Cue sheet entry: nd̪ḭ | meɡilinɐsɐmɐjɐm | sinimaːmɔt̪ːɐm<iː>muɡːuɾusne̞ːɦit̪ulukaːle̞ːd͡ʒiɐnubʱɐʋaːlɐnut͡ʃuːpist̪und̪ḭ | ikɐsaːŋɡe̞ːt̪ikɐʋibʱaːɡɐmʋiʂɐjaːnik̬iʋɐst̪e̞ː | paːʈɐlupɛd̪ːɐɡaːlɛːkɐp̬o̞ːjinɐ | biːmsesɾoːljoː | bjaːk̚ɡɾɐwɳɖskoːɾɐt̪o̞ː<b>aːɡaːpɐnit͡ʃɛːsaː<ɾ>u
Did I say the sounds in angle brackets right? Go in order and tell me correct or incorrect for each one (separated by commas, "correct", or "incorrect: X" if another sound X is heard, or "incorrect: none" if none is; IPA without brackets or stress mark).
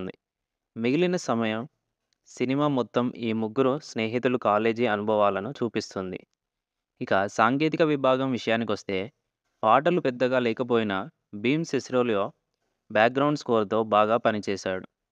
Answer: correct, correct, incorrect: ɽ